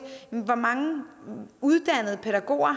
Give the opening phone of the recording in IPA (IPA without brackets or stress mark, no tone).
ʋ